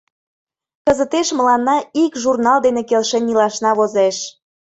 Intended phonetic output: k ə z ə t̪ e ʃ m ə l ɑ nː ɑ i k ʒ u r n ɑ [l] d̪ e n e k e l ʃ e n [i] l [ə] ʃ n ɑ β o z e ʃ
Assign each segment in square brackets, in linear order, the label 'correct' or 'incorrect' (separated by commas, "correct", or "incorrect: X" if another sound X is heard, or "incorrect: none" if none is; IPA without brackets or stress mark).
correct, correct, incorrect: ɑ